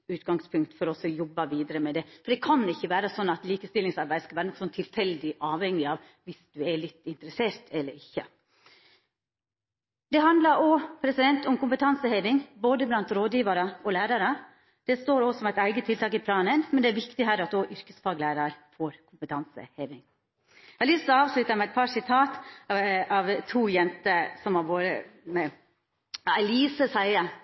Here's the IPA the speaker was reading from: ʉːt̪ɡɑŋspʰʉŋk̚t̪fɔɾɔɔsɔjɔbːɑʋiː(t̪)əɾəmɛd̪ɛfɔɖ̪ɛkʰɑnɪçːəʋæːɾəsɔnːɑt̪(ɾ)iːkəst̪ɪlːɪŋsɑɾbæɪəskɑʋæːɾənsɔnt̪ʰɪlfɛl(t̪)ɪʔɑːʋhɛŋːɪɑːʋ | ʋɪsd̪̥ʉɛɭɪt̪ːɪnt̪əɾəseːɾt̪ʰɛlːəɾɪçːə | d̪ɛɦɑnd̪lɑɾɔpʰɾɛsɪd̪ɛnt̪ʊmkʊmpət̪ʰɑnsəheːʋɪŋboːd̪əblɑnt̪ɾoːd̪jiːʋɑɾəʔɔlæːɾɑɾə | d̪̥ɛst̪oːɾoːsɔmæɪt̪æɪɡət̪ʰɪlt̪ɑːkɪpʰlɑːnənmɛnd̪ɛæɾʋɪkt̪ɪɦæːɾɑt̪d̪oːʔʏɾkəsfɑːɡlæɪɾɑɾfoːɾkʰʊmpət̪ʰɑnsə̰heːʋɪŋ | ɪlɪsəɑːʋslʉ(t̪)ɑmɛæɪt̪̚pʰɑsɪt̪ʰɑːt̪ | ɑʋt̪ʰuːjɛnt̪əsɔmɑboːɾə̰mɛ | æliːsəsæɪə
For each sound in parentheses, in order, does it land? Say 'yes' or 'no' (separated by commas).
no, no, no, yes